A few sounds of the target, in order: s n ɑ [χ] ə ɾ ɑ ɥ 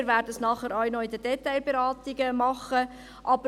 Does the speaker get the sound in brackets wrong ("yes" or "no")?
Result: no